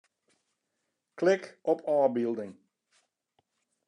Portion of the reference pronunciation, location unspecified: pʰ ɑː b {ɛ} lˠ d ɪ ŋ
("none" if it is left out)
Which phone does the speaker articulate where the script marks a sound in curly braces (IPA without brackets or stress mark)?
i